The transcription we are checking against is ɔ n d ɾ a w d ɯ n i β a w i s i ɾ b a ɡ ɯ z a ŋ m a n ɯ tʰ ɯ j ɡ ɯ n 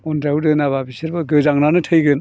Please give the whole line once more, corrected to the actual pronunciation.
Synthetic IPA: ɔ n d ɾ a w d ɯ n a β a b i s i ɾ b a ɡ ɯ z a ŋ n a n ɯ tʰ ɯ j ɡ ɯ n